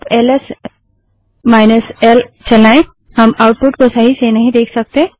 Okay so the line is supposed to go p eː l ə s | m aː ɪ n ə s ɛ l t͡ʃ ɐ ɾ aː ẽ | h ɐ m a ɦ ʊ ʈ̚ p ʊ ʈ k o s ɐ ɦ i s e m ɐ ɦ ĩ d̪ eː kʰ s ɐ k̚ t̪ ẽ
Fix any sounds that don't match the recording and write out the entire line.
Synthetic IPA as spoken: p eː l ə s | m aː ɪ n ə s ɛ l t͡ʃ ɐ l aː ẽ | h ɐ m a ʊ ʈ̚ p ʊ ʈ k o s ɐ ɦ i s e n ɐ ɦ ĩ d̪ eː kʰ s ɐ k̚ t̪ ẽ